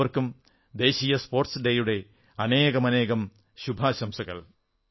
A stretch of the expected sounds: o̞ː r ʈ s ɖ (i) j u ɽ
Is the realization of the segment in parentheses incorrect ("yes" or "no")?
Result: yes